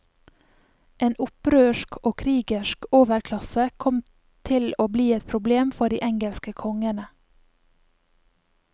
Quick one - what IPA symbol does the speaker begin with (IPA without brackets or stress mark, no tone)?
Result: ʔ